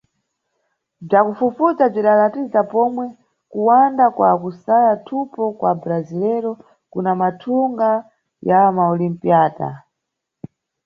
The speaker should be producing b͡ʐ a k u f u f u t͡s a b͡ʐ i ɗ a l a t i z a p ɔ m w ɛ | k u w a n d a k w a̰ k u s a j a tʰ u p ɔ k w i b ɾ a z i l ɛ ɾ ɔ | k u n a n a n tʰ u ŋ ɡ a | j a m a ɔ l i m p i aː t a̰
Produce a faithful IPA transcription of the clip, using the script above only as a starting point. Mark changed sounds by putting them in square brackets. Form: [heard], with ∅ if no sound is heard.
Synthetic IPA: b͡ʐ a k u f u f u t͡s a b͡ʐ i ɗ a l a t i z a p ɔ m w ɛ | k u w a n d a k w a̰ k u s a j a tʰ u p ɔ k w [a] b ɾ a z i l ɛ ɾ ɔ | k u n a [m] a [∅] tʰ u ŋ ɡ a | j a m a ɔ l i m p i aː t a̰